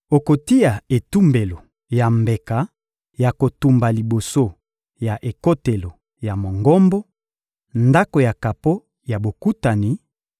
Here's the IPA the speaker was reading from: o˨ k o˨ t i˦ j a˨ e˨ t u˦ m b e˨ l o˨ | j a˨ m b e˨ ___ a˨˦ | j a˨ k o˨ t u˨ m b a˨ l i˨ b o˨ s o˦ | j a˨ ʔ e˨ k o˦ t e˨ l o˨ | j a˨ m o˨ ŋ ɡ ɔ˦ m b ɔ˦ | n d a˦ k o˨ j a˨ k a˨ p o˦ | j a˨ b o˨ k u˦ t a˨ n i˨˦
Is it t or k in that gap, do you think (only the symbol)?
k